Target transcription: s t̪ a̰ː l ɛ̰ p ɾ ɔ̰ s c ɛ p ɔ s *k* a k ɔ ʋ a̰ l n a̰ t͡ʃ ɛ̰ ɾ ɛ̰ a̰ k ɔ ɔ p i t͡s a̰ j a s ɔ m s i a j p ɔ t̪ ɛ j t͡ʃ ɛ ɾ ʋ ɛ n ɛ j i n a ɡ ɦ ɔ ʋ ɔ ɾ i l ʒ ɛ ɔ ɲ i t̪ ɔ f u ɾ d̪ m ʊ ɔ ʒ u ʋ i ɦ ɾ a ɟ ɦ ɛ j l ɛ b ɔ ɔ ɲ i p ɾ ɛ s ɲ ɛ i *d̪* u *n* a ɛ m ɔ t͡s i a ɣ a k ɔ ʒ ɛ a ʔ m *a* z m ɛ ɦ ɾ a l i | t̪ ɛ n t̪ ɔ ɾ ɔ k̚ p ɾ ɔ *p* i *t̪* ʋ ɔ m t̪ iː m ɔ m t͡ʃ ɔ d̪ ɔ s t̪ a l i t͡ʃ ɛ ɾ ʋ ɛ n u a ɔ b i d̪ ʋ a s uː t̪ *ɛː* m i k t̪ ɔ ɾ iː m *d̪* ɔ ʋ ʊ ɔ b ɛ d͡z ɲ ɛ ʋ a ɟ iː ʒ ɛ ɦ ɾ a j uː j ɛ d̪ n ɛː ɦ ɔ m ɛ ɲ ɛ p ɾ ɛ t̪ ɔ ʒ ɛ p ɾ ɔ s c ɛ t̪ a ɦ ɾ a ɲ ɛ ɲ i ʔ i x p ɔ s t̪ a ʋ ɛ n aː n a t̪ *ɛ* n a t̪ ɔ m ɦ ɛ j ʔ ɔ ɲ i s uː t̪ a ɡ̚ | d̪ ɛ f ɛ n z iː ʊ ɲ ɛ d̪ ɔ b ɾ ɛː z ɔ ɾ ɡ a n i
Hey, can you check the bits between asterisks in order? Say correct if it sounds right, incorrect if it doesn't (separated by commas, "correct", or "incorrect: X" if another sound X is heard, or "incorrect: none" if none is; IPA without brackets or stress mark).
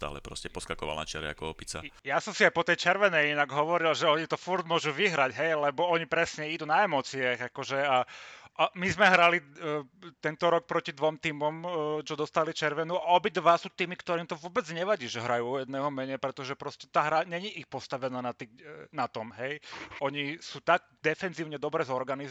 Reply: correct, correct, correct, incorrect: i, incorrect: c, incorrect: d̪, incorrect: iː, incorrect: t̪, incorrect: i